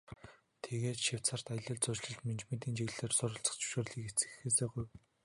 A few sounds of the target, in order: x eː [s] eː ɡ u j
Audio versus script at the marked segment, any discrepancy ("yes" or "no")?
no